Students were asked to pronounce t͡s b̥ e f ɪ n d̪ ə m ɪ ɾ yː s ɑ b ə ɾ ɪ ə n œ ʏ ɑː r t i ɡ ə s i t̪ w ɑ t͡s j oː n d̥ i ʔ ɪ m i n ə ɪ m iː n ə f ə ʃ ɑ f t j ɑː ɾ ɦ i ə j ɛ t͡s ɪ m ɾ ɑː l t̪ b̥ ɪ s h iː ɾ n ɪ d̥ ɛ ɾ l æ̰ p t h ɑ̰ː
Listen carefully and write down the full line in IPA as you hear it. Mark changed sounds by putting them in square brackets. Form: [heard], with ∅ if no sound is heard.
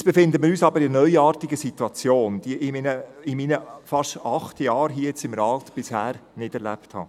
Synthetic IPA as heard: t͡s b̥ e f ɪ n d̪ ə m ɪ ɾ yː s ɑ b ə ɾ ɪ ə n œ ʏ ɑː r t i ɡ ə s i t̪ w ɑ t͡s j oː n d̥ i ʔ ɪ m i n ə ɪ m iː n ə f [ɑ] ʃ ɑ [χ] t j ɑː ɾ ɦ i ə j ɛ t͡s ɪ m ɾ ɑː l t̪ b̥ ɪ s h [æː] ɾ n ɪ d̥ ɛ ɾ l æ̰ p t h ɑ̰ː